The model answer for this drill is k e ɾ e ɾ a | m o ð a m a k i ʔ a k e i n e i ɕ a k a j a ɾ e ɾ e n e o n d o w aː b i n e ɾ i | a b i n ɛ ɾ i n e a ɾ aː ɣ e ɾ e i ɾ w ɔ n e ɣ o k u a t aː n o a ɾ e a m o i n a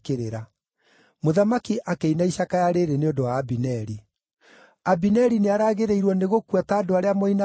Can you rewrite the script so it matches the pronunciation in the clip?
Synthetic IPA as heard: k e ɾ e ɾ a | m o ð a m a k i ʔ a k e i n a i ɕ a k a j a ɾ e ɾ e n e o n d o w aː b i n ɛ ɾ i | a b i n ɛ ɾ i n e a ɾ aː ɣ e ɾ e i ɾ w ɔ n e ɣ o k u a t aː d o a ɾ e a m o i n a